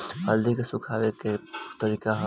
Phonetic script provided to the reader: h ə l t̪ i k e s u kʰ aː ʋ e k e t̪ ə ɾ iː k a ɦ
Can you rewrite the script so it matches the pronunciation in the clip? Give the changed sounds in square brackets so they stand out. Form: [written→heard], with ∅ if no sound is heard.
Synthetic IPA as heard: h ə l [t̪→d̪] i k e s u kʰ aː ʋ e k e t̪ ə ɾ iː k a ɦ